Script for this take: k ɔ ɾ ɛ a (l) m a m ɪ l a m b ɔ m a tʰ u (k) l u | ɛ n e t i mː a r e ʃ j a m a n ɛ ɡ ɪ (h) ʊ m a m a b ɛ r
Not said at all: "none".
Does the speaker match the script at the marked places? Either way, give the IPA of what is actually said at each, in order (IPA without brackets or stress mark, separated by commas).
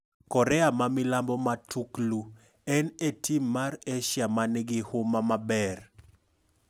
none, k, h